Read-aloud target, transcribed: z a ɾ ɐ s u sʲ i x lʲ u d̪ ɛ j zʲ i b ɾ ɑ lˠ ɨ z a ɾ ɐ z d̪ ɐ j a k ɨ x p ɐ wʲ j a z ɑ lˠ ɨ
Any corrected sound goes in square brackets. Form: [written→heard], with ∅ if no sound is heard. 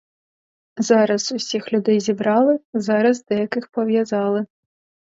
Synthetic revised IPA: z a ɾ ɐ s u sʲ i x lʲ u d̪ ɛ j zʲ i b ɾ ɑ lˠ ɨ z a ɾ ɐ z d̪ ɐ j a k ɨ x p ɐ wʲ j a z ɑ lˠ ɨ